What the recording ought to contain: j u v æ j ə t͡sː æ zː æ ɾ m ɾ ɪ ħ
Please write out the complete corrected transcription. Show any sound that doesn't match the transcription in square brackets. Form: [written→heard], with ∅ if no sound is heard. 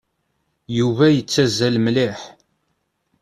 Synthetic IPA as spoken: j u v æ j ə t͡sː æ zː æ [ɾ→l] m [ɾ→l] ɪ ħ

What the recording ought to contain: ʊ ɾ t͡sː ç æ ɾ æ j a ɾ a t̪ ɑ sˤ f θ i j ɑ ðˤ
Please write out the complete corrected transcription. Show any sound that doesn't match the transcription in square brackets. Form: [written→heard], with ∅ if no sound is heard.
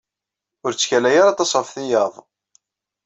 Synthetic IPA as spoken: ʊ ɾ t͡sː ç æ [ɾ→l] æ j a ɾ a t̪ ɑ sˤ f θ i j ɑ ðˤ

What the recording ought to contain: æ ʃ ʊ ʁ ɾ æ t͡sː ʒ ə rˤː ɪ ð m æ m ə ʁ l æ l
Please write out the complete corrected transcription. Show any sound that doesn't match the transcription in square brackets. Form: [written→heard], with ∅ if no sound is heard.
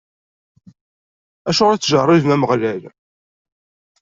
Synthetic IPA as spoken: æ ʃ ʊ ʁ ɾ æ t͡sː ʒ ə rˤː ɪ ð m æ m ə ʁ l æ l

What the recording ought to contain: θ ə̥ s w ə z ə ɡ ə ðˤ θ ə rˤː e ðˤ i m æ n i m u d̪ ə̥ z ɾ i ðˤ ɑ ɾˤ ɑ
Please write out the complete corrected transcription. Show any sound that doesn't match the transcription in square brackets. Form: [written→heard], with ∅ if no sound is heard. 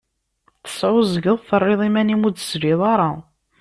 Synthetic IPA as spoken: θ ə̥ s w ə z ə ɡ ə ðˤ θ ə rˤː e ðˤ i m æ n i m u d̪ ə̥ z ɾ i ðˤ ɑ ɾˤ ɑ

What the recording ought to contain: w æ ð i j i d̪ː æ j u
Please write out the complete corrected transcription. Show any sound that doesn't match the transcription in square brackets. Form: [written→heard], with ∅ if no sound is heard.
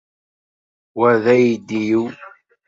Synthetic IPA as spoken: w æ ð [i→æ] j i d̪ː [æ→i] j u

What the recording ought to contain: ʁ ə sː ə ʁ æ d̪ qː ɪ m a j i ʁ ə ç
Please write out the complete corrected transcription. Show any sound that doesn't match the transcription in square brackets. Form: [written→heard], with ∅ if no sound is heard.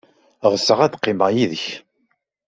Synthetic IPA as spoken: ʁ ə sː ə ʁ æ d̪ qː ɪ m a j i [ʁ→ð] ə ç

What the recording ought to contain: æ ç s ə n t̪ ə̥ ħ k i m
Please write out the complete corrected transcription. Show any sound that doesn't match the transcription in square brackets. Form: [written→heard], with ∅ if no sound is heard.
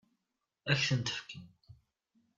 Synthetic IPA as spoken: æ ç [s→θ] ə n t̪ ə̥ [ħ→f] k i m

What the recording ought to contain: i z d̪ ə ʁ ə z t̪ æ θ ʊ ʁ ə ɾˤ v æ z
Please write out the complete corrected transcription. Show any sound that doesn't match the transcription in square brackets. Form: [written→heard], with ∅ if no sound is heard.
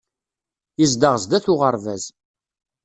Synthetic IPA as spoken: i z d̪ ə ʁ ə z [t̪→d̪] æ θ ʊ ʁ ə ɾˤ v æ z

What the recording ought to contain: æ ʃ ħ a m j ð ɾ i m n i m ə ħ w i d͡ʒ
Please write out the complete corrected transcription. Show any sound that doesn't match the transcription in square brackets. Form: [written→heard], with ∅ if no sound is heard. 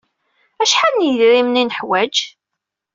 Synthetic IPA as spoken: æ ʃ ħ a [m→n] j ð ɾ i m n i [m→n] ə ħ w [i→æ] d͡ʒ

